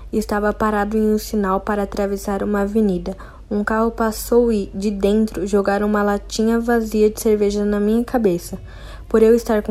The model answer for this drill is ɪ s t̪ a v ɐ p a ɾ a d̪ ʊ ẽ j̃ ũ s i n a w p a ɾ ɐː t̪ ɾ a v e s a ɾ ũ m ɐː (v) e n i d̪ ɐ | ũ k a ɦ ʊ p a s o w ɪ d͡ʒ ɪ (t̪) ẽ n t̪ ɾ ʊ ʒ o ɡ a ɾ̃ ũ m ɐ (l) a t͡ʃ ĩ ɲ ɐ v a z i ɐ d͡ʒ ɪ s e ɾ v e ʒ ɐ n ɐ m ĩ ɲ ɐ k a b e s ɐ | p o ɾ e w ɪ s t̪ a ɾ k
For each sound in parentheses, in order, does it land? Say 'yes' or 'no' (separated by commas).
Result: yes, no, yes